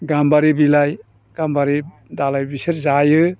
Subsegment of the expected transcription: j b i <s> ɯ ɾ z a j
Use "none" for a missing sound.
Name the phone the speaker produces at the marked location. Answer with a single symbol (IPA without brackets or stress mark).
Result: s